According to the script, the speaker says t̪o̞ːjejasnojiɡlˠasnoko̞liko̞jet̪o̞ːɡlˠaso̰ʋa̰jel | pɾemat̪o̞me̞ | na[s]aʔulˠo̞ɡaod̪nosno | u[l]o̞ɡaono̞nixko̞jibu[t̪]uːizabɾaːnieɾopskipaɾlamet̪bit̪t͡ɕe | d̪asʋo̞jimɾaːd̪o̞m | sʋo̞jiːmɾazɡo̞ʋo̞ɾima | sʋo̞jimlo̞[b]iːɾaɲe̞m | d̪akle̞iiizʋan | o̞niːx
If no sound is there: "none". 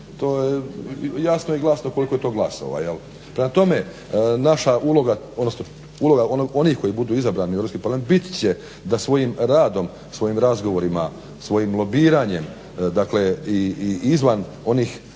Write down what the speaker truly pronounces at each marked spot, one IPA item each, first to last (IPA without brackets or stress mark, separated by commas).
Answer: ʃ, l, d̪, b